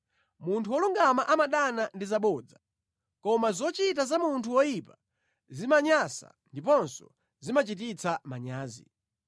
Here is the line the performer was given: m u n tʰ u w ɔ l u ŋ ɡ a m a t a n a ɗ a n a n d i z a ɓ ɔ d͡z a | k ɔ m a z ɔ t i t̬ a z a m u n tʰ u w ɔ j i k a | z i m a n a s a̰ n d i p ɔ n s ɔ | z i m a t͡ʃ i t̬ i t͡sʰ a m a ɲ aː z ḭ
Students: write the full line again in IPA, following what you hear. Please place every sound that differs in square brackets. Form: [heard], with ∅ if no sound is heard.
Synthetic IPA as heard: m u n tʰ u w ɔ l u ŋ ɡ a m a [ʔ] a [m] a ɗ a n a n d i z a ɓ ɔ d͡z a | k ɔ m a z ɔ [t͡ʃ] i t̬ a z a m u n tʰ u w ɔ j i [p] a | z i m a [ɲ] a s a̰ n d i p ɔ n s ɔ | z i m a t͡ʃ i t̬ i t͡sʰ a m a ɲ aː z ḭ